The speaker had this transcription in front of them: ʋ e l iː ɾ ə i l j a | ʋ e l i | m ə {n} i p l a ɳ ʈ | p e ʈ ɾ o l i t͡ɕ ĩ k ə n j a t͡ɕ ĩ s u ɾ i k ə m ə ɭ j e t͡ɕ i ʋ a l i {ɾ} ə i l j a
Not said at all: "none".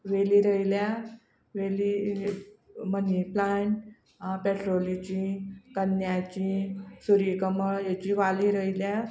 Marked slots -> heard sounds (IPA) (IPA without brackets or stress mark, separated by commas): n, ɾ